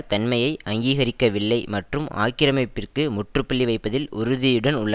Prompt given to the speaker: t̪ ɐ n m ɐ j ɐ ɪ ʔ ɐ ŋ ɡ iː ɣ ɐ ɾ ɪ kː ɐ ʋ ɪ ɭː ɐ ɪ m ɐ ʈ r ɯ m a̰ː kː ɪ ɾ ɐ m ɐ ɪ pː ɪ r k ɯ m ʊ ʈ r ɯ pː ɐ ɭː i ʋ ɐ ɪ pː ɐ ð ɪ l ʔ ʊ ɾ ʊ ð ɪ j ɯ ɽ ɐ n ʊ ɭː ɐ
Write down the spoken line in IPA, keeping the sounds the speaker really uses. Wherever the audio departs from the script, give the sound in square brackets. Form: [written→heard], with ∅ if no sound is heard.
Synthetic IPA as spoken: t̪ ɐ n m ɐ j ɐ ɪ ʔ ɐ ŋ ɡ iː ɣ ɐ ɾ ɪ kː ɐ ʋ ɪ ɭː ɐ ɪ m ɐ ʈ r ɯ m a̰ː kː ɪ ɾ ɐ m ɐ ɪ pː ɪ r k ɯ m ʊ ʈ r ɯ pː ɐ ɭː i ʋ ɐ ɪ pː ɐ ð ɪ l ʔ ʊ ɾ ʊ ð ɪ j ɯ ɽ ɐ n ʊ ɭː ɐ